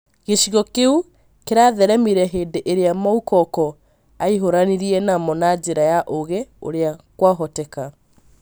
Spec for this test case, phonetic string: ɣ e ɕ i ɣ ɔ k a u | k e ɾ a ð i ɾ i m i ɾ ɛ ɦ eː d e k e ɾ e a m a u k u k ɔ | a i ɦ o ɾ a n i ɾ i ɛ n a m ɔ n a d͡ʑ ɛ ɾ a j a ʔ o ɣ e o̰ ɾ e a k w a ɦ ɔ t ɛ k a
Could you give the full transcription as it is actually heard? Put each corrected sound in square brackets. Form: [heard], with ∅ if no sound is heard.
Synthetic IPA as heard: ɣ e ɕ i ɣ ɔ k [e] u | k e ɾ a ð [ɛ] ɾ [ɛ] m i ɾ ɛ ɦ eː d e [ʔ] e ɾ e a m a u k [ɔ] k ɔ | a i ɦ o ɾ a n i ɾ i ɛ n a m ɔ n a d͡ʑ [e] ɾ a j a ʔ o ɣ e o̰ ɾ e a k w a ɦ ɔ t ɛ k a